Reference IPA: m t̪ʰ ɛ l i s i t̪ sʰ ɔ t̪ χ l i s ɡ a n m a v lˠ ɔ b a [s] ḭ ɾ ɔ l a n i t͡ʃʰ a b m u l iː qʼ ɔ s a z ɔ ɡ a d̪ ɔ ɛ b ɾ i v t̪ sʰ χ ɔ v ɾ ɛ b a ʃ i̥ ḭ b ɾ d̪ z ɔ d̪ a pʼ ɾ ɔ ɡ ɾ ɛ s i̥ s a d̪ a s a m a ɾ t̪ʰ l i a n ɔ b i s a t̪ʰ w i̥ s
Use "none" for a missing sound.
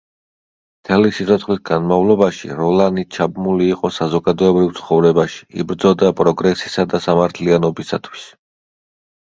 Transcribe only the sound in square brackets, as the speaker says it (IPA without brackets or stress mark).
ʃ